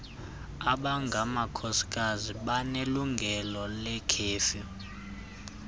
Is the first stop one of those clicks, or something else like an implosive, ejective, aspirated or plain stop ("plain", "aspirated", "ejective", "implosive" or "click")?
implosive